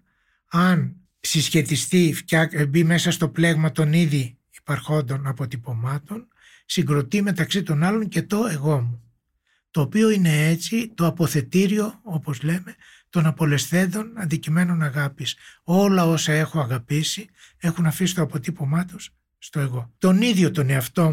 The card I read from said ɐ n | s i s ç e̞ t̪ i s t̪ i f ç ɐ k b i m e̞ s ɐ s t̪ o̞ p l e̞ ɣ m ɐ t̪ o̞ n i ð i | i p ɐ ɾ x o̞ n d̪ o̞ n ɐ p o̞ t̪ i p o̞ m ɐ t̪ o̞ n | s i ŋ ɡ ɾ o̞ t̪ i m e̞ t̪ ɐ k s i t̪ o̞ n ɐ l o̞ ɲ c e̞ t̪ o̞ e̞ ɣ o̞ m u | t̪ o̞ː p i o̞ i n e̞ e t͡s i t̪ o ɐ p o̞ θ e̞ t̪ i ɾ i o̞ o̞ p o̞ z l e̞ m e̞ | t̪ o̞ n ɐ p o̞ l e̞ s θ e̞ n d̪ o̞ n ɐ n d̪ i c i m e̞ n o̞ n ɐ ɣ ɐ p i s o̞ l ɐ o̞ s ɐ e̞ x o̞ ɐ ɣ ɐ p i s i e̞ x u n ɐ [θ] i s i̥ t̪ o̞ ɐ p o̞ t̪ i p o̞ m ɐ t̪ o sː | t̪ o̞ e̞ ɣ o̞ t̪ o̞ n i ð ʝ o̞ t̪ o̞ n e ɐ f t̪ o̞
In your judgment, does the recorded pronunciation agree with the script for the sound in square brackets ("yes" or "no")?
no